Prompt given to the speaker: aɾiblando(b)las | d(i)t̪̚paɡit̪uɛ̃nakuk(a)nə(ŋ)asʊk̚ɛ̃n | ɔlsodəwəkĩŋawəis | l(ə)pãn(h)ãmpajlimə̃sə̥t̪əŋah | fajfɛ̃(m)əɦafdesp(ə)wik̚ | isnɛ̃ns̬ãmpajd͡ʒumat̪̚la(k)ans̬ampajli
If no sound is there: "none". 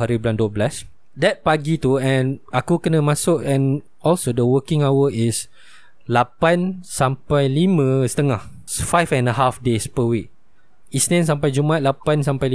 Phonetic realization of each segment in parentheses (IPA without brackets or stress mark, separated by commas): b, ɛ, ə, m, a, s, n, ə, p